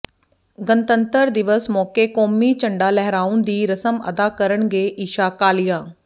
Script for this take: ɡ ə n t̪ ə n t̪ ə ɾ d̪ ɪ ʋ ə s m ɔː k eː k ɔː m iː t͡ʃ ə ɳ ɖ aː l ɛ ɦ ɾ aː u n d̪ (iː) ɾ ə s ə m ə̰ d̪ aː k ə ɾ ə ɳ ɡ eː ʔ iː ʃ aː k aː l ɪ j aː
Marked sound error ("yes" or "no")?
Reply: no